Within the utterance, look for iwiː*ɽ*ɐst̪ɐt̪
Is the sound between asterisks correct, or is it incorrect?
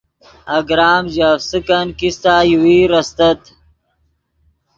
incorrect: ɾ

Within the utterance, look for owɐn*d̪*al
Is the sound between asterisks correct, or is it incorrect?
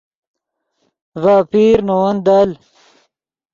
correct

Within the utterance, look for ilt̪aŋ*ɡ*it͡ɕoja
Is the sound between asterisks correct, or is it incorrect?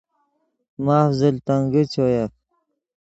correct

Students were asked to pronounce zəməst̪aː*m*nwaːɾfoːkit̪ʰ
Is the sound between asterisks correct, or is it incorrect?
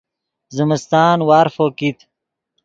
incorrect: none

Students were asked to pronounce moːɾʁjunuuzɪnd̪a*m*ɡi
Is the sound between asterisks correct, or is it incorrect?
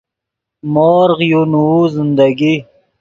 incorrect: none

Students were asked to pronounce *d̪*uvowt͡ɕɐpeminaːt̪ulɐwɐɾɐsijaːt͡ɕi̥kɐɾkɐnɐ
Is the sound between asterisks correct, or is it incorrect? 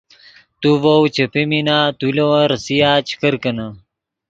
incorrect: t̪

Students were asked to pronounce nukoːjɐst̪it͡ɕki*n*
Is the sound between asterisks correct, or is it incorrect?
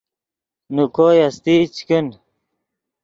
correct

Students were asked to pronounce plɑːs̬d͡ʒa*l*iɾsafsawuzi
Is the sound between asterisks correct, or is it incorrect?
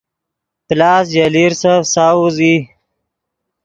correct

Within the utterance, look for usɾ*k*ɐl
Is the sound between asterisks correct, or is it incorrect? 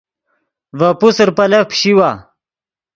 incorrect: p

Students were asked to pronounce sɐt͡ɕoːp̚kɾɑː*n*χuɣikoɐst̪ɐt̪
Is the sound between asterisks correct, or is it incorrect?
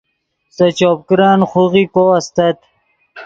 correct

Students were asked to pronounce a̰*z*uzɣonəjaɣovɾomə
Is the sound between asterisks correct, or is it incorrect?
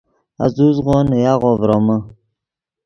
correct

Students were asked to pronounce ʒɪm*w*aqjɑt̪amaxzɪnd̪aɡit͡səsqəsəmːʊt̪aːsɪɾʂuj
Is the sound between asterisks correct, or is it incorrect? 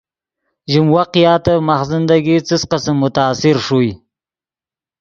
correct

